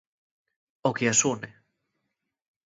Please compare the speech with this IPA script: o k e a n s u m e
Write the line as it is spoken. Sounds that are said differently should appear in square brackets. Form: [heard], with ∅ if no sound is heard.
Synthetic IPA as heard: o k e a [∅] s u [n] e